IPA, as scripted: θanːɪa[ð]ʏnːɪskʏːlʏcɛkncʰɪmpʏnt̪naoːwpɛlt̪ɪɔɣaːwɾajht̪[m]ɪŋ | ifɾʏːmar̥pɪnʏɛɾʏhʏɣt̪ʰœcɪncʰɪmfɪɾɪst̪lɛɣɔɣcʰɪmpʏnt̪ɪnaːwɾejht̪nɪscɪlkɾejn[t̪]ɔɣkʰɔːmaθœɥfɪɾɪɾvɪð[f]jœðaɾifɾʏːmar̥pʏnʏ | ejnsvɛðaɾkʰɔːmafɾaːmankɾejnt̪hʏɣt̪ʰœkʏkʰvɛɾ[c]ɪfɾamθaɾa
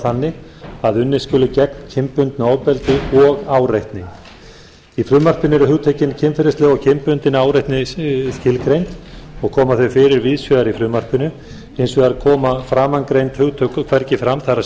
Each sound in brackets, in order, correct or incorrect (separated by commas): correct, incorrect, correct, incorrect, correct